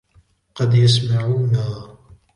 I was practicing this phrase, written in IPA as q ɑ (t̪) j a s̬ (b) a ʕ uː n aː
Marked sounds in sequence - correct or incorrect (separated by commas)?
incorrect, incorrect